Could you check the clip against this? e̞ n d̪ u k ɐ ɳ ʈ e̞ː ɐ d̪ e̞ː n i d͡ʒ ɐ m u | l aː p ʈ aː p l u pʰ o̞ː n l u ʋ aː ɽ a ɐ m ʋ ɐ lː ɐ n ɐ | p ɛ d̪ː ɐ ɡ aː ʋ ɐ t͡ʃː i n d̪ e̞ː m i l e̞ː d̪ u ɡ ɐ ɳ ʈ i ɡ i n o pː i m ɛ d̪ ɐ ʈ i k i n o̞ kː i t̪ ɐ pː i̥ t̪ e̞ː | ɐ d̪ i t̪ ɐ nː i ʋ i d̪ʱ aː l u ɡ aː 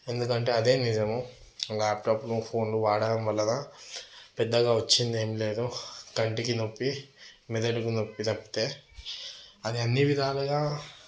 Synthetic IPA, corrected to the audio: e̞ n d̪ u k ɐ ɳ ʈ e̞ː ɐ d̪ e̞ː n i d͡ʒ ɐ m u | l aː p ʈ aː p l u pʰ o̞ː n l u ʋ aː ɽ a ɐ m ʋ ɐ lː ɐ n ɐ | p ɛ d̪ː ɐ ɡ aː ʋ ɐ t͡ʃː i n d̪ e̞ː m i l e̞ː d̪ u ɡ ɐ ɳ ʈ i k i n o pː i m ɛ d̪ ɐ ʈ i k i n o̞ pː i t̪ ɐ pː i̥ t̪ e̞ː | ɐ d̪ i ɐ nː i ʋ i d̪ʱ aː l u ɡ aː